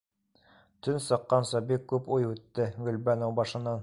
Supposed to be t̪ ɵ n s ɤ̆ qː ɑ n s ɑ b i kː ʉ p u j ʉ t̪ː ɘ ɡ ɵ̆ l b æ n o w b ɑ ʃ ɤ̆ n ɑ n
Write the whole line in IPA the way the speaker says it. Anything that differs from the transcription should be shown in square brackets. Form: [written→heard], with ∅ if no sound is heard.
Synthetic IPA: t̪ ɵ n s ɤ̆ qː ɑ n s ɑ b i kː ʉ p u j ʉ t̪ː ɘ ɡ ɵ̆ l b æ n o w b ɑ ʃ ɤ̆ n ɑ n